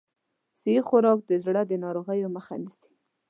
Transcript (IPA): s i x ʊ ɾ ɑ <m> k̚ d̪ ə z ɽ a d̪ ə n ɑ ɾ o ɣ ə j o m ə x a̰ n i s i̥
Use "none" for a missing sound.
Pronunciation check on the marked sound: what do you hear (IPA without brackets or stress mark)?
none